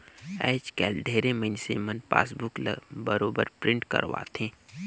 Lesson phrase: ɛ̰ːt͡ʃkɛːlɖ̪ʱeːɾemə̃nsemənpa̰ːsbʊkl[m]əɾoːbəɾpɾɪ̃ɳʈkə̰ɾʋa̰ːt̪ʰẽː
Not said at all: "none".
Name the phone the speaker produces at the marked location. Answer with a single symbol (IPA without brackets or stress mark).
b